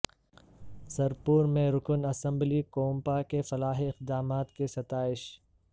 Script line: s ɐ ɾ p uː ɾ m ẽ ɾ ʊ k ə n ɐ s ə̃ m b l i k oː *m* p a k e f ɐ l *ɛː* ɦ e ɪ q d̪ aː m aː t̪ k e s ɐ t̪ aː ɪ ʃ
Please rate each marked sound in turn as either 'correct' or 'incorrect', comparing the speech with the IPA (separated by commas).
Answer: correct, incorrect